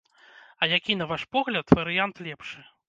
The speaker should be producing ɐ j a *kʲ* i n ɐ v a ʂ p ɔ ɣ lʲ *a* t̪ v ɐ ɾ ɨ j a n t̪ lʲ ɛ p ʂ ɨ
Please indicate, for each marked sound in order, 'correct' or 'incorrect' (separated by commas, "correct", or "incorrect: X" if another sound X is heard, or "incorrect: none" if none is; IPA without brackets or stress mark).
correct, incorrect: ɐ